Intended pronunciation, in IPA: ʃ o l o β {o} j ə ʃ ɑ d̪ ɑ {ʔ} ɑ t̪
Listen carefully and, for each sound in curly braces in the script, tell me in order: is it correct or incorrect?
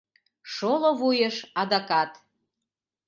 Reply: incorrect: u, incorrect: k

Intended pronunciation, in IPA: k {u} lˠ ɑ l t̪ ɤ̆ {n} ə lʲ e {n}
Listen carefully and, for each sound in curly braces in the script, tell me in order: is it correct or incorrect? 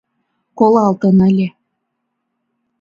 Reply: incorrect: o, correct, incorrect: none

